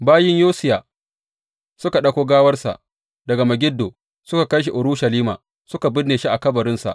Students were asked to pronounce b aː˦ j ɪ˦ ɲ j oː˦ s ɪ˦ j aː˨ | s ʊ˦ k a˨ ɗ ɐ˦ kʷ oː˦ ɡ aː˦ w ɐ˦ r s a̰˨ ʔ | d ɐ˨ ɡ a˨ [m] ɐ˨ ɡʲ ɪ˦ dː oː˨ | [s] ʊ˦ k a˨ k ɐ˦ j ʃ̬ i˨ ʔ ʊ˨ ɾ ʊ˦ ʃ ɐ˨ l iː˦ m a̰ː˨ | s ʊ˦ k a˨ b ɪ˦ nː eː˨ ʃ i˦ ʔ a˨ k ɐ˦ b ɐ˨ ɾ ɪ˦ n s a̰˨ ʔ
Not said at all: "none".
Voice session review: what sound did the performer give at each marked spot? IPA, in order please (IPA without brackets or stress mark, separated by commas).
m, s